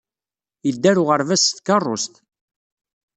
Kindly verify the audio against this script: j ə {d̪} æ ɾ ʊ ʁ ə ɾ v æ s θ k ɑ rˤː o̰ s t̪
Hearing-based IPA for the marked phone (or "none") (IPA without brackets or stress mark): d̪ː